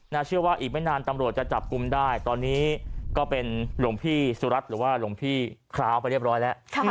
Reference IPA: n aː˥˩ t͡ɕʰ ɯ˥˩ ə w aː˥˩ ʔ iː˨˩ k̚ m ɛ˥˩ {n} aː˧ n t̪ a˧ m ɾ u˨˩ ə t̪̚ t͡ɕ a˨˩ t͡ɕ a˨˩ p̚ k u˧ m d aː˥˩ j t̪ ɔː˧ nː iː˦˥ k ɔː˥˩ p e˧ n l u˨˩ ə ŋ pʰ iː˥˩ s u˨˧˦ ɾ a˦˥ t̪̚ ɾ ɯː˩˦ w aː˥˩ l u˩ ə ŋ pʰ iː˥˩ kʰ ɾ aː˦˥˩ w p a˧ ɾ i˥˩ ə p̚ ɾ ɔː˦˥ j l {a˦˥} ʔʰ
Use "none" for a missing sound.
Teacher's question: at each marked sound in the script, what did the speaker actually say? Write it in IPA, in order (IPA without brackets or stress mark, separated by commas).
n, ɛ˦˥